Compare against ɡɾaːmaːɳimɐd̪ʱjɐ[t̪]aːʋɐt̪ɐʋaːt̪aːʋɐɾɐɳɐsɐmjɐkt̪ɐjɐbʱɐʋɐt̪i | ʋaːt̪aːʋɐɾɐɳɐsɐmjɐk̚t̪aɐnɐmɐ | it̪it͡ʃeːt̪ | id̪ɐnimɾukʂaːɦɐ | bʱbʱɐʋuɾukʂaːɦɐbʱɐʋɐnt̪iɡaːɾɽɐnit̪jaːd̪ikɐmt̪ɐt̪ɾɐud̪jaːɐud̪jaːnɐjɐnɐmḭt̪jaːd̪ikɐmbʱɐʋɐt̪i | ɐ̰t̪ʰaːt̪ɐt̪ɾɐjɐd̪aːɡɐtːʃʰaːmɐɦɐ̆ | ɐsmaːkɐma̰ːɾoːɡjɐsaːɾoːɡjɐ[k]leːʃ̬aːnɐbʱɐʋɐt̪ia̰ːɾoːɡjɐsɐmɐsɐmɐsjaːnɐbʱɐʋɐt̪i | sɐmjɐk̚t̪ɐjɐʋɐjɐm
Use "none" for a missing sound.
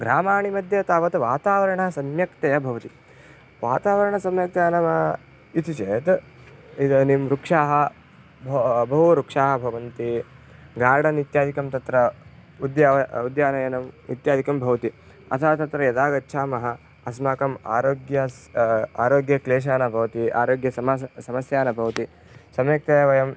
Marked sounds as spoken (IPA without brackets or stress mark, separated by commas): t̪, k